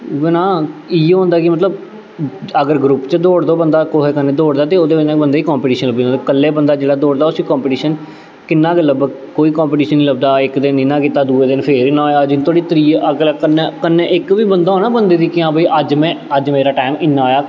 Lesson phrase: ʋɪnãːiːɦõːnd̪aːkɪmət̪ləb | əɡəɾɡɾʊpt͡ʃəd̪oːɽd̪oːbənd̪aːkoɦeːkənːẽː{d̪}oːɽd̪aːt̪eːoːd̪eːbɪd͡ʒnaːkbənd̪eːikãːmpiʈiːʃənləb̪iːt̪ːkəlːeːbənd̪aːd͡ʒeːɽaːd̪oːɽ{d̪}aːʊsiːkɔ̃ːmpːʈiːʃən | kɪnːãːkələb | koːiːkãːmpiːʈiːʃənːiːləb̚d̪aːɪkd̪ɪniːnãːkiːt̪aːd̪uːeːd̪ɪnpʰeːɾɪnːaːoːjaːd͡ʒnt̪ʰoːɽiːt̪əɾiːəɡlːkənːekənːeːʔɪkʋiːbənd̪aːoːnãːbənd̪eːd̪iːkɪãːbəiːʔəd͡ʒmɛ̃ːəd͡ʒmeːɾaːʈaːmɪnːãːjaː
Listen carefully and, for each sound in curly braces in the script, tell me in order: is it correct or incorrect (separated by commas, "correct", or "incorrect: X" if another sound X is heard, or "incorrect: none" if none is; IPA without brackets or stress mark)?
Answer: correct, correct